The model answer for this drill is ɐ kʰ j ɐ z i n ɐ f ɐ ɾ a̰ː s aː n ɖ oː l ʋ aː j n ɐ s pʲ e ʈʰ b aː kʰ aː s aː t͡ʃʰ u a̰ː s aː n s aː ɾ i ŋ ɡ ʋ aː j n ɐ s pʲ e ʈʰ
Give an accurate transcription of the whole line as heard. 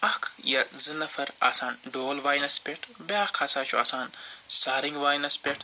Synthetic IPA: ɐ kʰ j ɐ z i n ɐ f ɐ ɾ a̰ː s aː n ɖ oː l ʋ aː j n ɐ s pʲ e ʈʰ b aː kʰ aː s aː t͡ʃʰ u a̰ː s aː n s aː ɾ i ŋ ɡ ʋ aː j n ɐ s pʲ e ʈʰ